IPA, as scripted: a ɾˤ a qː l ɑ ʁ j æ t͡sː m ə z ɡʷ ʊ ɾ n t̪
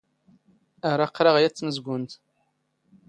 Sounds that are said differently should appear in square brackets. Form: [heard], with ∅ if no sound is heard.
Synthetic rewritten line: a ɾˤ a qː [ɾ] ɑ ʁ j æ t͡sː m ə z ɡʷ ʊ [∅] n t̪